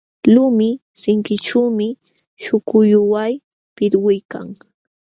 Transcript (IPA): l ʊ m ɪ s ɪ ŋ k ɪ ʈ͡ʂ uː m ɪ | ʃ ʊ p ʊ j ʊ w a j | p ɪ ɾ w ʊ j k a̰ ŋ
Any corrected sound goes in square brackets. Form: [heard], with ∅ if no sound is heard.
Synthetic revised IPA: l ʊ m ɪ s ɪ ŋ k ɪ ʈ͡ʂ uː m ɪ | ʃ ʊ [k] ʊ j ʊ w a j | p ɪ ɾ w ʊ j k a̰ ŋ

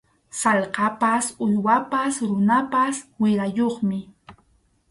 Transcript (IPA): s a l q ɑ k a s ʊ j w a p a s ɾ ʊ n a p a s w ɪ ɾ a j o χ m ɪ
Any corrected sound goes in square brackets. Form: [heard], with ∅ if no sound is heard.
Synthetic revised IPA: s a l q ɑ [p] a s ʊ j w a p a s ɾ ʊ n a p a s w ɪ ɾ a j o χ m ɪ

